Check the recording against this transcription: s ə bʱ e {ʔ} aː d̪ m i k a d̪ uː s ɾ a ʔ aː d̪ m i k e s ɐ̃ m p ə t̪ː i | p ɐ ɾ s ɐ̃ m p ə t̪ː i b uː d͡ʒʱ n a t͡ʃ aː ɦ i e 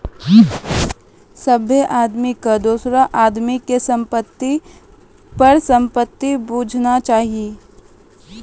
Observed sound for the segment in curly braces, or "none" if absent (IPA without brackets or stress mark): ʔ